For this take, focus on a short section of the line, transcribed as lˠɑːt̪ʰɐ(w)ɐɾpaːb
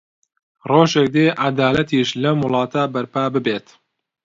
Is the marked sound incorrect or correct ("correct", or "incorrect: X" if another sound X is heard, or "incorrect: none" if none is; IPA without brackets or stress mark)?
incorrect: b